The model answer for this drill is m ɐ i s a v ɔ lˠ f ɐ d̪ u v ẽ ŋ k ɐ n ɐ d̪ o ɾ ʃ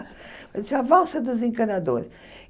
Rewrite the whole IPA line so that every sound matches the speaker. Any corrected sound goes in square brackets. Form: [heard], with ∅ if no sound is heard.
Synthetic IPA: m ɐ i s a v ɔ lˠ [s] ɐ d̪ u [z] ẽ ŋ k ɐ n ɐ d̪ o ɾ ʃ